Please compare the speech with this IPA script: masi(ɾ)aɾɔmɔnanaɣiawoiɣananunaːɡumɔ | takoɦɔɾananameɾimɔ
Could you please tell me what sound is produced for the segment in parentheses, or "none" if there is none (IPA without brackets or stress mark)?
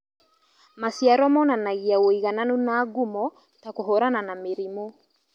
none